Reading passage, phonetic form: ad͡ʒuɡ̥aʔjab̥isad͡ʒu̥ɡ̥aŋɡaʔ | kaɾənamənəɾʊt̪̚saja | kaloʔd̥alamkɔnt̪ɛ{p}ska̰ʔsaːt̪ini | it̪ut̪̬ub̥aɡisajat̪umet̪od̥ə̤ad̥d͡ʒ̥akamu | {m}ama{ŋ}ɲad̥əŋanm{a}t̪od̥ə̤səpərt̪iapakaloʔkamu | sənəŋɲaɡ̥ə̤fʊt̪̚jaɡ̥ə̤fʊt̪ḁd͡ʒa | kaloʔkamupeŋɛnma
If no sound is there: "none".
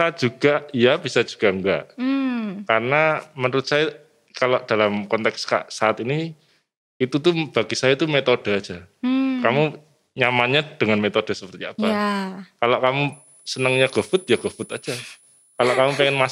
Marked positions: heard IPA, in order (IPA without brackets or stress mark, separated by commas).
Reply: k, ɲ, n, e